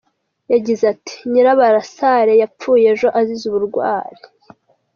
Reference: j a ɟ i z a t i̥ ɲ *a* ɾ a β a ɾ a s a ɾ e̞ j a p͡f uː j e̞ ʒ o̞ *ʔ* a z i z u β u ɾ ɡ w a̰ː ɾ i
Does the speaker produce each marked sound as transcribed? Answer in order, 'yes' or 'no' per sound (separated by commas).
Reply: no, yes